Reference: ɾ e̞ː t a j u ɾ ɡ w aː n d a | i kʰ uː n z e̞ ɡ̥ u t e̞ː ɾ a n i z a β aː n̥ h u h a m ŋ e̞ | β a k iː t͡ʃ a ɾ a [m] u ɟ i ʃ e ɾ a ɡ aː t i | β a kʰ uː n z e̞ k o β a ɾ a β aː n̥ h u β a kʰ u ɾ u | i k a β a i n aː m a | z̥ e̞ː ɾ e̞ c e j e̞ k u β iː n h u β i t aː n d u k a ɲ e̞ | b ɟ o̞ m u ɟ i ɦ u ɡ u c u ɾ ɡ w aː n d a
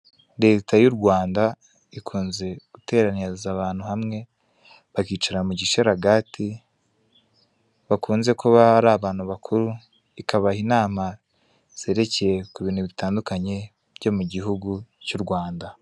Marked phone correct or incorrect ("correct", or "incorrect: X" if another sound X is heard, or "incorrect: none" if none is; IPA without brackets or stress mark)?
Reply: correct